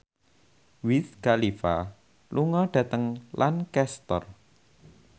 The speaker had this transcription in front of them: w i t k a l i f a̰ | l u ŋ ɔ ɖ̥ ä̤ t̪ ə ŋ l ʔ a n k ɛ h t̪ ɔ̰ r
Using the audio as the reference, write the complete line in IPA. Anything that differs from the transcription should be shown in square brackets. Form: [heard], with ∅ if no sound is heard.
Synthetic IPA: w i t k a l i f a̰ | l u ŋ ɔ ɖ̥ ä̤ t̪ ə ŋ l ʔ a n k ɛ [s] t̪ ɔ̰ r